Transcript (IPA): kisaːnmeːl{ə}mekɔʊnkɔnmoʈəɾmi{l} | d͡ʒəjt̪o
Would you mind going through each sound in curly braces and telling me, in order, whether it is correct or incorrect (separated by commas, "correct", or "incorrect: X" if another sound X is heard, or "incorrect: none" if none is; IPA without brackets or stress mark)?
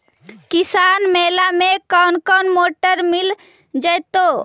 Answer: incorrect: a, correct